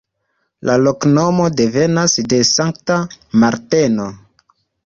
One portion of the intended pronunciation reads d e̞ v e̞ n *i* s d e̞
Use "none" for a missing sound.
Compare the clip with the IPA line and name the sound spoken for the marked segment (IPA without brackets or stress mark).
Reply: a